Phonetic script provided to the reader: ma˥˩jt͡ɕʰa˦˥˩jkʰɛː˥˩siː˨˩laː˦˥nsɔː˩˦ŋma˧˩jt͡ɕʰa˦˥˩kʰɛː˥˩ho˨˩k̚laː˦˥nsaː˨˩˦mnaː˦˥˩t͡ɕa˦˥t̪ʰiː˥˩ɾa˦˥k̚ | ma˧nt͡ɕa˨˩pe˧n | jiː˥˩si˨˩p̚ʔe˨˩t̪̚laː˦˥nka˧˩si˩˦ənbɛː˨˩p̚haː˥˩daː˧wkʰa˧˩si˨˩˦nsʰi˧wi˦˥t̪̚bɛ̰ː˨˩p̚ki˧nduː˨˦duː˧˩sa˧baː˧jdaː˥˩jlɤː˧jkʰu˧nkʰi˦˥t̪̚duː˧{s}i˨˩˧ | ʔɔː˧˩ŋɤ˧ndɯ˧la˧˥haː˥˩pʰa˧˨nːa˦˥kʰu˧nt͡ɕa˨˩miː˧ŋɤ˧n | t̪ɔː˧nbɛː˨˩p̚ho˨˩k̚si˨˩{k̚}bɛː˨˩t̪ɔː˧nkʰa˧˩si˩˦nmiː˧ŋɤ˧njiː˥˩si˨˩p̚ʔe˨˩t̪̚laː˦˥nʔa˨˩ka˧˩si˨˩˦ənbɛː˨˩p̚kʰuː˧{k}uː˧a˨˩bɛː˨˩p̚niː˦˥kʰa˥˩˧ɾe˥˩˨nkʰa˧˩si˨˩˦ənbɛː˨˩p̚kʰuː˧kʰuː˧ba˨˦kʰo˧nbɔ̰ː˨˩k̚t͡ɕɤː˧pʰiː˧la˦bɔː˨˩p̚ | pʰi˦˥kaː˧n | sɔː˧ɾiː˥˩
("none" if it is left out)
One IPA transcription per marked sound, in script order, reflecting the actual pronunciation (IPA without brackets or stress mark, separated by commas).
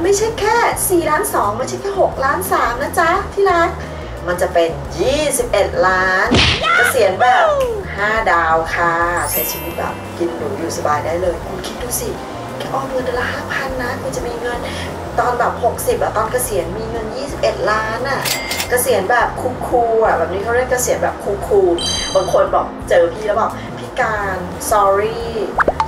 s, p̚, kʰ